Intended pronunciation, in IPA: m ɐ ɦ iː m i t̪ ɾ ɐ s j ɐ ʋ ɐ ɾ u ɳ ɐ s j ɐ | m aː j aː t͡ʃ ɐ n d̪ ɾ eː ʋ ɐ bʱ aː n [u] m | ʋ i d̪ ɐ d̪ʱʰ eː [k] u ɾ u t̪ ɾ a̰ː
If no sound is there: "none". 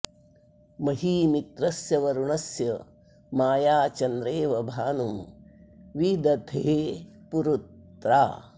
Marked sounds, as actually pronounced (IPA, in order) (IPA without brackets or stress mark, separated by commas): u, p